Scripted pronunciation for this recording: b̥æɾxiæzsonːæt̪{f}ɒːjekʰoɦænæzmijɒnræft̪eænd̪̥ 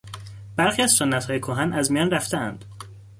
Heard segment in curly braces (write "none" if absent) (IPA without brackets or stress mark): h